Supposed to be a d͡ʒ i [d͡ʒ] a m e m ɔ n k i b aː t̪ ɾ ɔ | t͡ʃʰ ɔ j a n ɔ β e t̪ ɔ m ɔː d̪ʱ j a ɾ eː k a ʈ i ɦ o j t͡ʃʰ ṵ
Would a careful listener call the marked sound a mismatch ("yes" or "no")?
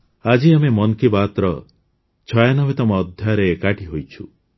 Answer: yes